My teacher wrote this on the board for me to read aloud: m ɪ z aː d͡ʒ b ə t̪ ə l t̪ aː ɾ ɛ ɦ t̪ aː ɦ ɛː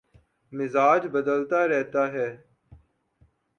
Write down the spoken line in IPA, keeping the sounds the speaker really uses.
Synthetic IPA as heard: m ɪ z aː d͡ʒ b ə d̪ ə l t̪ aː ɾ ɛ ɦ t̪ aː ɦ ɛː